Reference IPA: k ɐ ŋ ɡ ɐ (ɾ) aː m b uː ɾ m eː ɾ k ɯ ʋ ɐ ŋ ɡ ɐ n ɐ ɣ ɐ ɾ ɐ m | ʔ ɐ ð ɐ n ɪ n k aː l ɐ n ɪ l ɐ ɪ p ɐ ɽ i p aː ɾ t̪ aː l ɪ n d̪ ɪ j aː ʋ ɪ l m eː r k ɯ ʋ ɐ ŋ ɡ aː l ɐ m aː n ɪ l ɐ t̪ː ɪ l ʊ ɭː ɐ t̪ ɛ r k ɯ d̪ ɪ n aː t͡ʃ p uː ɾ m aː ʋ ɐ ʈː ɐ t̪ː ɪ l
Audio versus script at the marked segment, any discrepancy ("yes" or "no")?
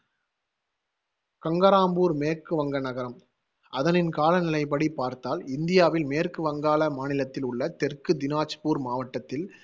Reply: no